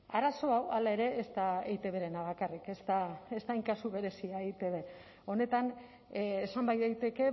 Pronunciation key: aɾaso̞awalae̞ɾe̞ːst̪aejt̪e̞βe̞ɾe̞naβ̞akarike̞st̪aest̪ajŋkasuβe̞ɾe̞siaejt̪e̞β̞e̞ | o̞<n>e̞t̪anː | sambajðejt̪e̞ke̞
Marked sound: correct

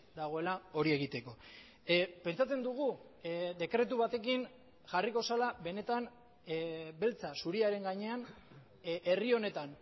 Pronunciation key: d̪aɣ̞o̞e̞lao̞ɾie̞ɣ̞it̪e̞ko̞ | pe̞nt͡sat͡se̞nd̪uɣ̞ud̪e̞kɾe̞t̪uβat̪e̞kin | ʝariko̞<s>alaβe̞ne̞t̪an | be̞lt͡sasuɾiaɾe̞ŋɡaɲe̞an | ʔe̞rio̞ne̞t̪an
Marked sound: correct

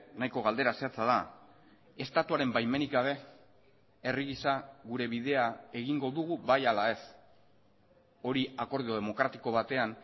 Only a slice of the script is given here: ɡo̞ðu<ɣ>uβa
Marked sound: correct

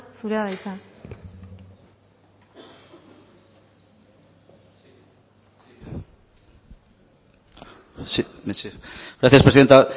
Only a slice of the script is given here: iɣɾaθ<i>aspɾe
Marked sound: incorrect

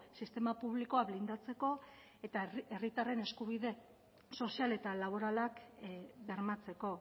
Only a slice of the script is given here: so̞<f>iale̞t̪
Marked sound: incorrect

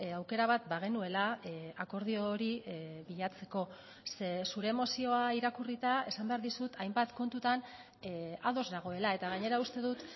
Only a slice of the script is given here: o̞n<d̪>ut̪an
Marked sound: incorrect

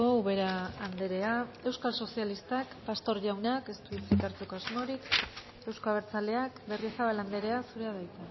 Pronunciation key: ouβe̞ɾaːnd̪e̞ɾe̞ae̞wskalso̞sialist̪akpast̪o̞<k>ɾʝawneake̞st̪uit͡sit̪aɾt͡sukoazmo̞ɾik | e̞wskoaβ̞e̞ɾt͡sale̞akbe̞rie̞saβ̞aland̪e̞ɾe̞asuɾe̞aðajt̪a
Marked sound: incorrect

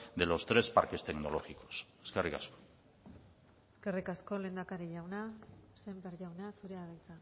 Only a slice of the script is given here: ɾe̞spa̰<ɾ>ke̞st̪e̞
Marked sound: correct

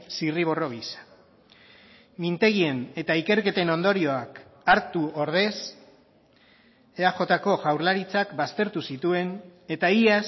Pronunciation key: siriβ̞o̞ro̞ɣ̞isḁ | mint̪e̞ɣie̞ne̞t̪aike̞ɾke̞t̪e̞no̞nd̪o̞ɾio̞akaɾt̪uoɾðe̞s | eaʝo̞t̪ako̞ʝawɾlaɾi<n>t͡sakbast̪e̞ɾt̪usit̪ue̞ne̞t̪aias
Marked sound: incorrect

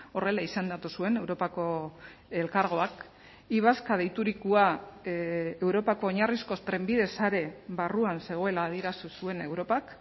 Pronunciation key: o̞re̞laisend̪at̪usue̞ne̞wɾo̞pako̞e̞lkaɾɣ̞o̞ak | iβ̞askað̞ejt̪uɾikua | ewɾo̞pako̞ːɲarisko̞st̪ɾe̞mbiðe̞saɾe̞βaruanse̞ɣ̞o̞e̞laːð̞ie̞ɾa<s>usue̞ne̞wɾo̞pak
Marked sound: correct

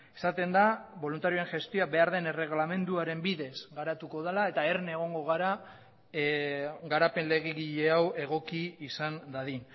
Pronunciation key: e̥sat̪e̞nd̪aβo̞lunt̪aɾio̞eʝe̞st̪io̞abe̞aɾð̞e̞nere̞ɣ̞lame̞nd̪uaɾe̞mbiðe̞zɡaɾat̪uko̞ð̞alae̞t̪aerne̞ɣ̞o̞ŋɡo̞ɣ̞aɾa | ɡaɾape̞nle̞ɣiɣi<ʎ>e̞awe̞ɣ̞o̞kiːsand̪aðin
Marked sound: correct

